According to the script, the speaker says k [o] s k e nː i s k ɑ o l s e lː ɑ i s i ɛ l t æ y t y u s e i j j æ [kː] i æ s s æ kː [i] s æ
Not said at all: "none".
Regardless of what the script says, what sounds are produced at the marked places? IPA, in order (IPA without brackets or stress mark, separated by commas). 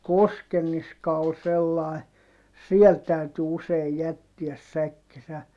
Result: o, tː, i